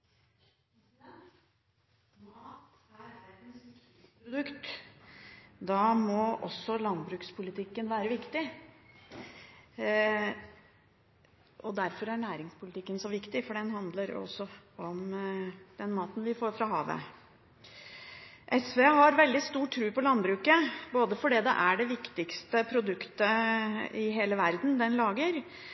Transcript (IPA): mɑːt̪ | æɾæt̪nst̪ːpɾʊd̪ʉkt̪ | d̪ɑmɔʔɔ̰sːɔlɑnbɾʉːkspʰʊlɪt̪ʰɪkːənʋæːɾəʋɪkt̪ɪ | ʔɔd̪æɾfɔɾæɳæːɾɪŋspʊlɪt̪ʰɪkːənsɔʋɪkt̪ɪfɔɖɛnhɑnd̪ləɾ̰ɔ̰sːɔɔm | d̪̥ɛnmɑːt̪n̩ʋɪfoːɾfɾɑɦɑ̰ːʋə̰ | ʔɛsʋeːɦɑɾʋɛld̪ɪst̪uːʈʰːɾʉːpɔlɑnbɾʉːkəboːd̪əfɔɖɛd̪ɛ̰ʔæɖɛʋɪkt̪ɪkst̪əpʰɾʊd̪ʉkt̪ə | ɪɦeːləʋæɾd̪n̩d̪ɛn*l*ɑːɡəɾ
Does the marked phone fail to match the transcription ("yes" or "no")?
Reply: no